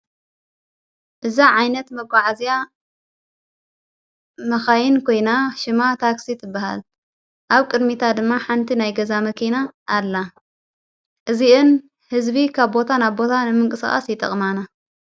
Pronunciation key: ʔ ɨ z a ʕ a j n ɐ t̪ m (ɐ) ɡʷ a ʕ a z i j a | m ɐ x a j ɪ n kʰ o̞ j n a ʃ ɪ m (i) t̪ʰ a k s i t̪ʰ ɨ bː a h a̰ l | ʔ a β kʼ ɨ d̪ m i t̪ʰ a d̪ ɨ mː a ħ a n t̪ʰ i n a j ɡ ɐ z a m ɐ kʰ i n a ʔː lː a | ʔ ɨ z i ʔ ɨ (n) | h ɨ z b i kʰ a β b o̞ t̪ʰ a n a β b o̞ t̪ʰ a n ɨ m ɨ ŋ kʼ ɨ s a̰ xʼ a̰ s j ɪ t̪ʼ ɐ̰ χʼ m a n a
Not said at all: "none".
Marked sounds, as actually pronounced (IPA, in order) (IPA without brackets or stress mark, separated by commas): ɐ, a, n